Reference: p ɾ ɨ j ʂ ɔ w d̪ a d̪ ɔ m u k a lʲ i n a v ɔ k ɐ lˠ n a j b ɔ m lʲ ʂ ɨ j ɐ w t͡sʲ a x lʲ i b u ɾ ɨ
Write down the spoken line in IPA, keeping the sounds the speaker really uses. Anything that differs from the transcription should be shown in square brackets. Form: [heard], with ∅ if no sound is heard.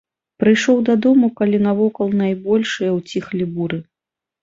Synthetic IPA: p ɾ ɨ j ʂ ɔ w d̪ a d̪ ɔ m u k a lʲ i n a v ɔ k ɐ lˠ n a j b ɔ [∅] lʲ ʂ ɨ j ɐ w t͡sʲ [i] x lʲ i b u ɾ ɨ